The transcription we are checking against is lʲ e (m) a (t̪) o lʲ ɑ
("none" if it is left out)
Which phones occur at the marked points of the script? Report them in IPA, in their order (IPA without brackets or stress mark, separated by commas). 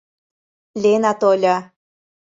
n, t̪